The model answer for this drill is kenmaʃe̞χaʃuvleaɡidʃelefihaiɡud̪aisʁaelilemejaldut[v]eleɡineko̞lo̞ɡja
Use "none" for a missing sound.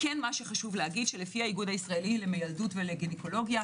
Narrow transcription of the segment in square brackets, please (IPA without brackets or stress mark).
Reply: v